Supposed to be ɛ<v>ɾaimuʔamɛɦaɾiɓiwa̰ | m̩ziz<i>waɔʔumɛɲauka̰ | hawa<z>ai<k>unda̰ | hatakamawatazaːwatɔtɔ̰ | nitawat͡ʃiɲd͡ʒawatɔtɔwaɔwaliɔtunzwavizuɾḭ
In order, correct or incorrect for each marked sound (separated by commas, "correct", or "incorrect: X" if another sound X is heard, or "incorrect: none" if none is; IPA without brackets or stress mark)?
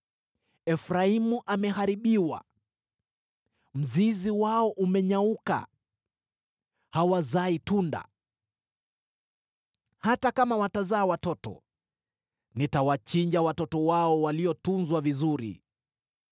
incorrect: f, correct, correct, incorrect: t